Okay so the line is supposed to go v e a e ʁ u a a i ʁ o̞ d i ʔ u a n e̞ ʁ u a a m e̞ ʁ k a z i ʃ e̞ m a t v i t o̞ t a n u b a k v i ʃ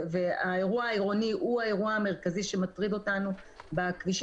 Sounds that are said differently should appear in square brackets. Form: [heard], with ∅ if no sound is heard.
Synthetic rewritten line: v e a e ʁ u a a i ʁ o̞ [n] i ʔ u a [∅] e̞ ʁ u a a m e̞ ʁ k a z i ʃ e̞ m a t [ʁ] i [d] o̞ t a n u b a k v i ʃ